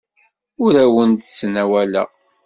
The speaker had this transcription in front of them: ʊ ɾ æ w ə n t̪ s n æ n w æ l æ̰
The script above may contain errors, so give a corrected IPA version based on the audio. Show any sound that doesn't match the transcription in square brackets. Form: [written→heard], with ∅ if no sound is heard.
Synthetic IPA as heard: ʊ ɾ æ w ə n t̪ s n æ [n→∅] w æ l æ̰